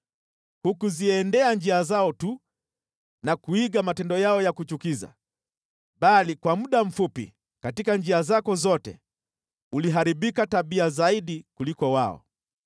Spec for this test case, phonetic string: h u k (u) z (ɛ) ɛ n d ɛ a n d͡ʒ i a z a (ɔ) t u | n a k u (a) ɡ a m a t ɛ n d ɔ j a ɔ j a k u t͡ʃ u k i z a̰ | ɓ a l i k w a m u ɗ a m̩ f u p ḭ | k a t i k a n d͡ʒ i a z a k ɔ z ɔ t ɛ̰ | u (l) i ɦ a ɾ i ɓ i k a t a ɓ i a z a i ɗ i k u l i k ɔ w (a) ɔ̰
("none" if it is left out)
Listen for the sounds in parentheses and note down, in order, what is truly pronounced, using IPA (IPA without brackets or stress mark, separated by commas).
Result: u, i, ɔ, i, l, a